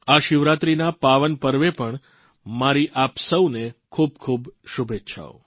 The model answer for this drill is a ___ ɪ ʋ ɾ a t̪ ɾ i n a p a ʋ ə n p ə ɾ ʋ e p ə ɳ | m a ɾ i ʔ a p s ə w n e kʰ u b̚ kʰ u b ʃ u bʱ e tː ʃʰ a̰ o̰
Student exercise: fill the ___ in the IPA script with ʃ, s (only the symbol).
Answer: ʃ